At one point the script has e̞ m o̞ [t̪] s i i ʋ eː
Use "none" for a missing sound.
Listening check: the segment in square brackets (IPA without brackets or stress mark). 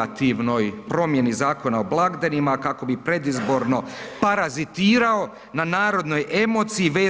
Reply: t̪